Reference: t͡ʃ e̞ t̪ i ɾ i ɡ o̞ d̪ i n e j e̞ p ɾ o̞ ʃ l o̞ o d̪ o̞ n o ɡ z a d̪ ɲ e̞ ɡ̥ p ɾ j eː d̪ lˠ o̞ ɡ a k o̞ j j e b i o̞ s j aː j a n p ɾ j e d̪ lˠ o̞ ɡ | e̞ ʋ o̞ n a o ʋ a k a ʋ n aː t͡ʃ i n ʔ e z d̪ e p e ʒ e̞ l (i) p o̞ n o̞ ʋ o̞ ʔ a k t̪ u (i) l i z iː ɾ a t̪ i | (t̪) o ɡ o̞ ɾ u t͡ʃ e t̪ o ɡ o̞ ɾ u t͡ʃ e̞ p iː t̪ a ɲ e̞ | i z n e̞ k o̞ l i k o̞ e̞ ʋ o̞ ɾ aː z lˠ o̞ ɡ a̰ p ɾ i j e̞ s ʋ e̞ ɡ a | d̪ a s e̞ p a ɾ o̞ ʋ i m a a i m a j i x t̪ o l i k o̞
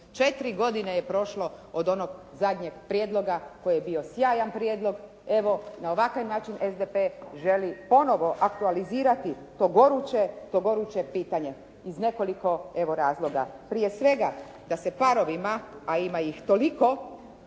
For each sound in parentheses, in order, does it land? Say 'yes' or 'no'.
yes, no, yes

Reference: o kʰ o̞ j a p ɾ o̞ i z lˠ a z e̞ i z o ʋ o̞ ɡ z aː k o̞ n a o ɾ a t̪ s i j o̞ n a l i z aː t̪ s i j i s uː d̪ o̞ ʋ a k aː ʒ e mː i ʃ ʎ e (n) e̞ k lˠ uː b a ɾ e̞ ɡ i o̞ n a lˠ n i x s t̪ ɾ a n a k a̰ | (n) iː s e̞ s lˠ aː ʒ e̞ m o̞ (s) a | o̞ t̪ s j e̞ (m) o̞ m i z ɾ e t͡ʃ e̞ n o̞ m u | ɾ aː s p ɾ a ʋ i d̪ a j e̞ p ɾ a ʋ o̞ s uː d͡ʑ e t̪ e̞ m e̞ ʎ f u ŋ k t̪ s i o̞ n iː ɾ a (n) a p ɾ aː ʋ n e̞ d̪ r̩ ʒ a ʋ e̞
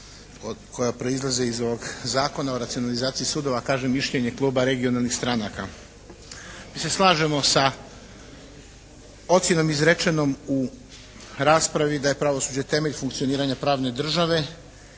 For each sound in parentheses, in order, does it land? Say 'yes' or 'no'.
no, no, yes, no, no

